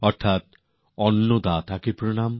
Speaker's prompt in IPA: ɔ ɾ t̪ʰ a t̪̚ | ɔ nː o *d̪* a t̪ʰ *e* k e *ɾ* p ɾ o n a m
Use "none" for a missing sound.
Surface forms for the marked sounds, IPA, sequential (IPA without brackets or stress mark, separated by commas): d̪, a, none